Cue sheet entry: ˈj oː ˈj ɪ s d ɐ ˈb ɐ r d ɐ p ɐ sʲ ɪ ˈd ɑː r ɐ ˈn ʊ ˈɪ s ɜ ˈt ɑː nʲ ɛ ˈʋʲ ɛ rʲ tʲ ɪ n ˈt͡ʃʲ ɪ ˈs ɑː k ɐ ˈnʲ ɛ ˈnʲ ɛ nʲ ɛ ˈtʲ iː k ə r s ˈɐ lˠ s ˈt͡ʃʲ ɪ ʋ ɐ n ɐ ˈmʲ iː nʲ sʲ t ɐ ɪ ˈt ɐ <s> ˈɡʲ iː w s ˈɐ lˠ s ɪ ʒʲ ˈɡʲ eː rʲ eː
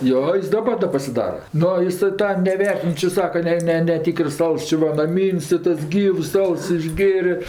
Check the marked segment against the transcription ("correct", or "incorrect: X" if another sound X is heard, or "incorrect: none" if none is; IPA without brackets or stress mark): correct